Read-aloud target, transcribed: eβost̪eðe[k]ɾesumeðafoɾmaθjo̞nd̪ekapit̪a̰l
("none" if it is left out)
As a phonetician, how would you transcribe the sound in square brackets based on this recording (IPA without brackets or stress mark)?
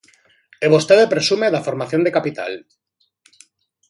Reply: p